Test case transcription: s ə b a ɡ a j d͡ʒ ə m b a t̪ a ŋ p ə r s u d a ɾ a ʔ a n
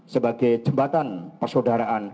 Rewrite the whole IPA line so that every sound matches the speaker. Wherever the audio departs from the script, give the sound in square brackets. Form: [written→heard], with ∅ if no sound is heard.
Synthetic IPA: s ə b a ɡ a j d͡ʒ ə m b a t̪ a [ŋ→n] p ə r s [u→o] d a ɾ a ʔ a n